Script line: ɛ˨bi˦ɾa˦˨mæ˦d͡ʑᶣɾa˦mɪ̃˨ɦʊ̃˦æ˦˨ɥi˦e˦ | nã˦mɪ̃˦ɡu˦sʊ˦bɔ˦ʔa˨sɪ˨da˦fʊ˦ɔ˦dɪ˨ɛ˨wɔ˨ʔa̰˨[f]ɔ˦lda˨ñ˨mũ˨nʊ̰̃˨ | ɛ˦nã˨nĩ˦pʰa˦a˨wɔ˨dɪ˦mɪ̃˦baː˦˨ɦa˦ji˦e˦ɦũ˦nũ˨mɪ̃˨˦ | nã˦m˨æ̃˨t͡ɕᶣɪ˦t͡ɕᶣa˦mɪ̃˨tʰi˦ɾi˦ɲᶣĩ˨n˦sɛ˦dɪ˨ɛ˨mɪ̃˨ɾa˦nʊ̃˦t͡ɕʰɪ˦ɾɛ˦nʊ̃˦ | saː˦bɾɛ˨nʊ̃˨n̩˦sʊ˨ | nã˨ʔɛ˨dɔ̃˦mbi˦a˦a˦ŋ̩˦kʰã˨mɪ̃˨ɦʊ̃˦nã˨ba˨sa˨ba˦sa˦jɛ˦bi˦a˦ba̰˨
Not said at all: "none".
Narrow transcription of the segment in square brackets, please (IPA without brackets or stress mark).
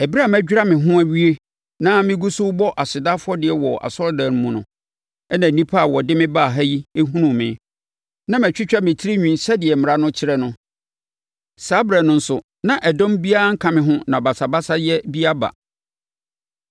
s